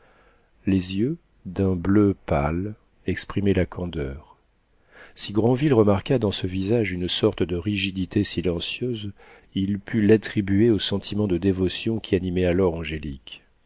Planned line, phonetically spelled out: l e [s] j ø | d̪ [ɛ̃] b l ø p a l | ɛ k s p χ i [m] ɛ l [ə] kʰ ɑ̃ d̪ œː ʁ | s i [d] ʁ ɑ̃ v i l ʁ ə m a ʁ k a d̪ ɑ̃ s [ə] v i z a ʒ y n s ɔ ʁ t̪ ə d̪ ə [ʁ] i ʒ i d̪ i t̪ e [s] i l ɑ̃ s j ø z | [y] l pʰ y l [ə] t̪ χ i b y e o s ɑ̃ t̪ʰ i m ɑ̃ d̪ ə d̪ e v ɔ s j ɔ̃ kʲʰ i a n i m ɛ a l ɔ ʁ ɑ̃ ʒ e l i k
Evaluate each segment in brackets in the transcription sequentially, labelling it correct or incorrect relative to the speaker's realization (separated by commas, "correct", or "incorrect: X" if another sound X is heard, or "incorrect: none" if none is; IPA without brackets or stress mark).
incorrect: z, correct, correct, incorrect: a, incorrect: ɡ, correct, correct, correct, incorrect: i, incorrect: a